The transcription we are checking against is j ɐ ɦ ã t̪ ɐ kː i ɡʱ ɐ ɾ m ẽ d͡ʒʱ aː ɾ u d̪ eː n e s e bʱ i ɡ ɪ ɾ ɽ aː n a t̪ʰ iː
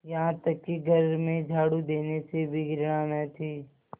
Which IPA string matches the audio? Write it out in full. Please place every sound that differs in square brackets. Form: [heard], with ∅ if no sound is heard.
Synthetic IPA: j ɐ ɦ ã t̪ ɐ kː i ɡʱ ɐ ɾ m ẽ d͡ʒʱ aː [ɽ] u d̪ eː n e s e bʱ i ɡ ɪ ɾ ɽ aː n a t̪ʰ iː